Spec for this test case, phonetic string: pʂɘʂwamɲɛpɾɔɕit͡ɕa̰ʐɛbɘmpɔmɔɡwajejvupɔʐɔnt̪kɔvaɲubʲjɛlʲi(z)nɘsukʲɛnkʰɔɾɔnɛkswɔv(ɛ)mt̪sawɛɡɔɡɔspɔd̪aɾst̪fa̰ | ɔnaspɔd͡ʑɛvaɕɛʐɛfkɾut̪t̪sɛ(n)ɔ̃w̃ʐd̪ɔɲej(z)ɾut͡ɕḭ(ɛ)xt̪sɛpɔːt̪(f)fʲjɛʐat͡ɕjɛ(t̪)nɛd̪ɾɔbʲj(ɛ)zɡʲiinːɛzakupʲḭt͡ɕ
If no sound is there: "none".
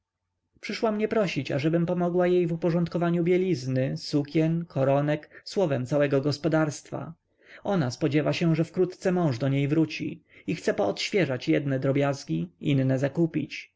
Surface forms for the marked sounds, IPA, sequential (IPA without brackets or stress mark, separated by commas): z, ɛ, m, v, i, ɕ, d̪, a